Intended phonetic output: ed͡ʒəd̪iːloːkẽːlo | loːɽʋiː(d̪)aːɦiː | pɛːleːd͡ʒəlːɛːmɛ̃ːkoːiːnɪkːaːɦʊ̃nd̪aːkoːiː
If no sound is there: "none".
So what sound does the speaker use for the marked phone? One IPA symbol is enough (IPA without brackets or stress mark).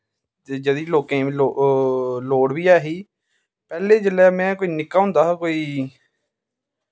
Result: none